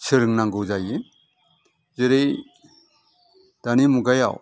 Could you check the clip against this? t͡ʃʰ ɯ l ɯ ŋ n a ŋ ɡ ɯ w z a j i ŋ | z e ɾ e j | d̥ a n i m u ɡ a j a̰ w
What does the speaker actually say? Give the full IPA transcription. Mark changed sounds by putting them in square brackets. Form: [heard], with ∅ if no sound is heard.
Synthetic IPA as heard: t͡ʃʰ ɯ [ɾ] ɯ ŋ n a ŋ ɡ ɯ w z a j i [∅] | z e ɾ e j | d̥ a n i m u ɡ a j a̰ w